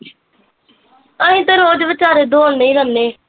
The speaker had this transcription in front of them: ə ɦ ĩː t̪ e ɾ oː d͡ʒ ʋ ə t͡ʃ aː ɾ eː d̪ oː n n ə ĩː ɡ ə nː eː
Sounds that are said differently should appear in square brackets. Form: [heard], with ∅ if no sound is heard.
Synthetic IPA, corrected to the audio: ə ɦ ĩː t̪ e ɾ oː d͡ʒ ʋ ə t͡ʃ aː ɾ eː d̪ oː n n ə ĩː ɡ ə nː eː